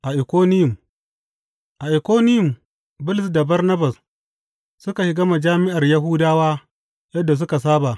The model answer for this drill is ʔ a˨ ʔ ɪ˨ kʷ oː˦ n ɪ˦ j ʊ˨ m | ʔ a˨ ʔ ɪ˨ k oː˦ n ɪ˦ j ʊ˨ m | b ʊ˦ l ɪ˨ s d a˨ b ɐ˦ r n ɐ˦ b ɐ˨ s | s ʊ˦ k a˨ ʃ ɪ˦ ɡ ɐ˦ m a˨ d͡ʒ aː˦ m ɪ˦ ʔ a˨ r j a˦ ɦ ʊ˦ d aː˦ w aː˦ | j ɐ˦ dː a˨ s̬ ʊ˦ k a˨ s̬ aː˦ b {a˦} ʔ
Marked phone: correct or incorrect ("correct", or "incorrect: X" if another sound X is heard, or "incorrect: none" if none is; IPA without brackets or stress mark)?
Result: incorrect: a˨